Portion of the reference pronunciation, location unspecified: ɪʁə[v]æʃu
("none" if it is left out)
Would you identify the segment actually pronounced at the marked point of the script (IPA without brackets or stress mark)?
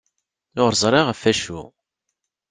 f